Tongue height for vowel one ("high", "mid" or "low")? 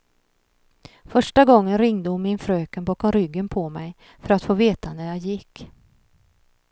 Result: mid